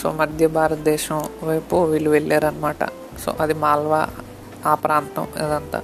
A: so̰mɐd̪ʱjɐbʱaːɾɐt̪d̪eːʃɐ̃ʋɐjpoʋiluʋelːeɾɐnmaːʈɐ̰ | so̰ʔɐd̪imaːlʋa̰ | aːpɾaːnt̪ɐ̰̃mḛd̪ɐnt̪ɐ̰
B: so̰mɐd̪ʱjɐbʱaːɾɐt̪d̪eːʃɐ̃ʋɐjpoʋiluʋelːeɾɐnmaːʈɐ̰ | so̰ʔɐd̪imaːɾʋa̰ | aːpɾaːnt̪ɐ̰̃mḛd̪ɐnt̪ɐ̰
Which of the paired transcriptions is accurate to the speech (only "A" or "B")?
A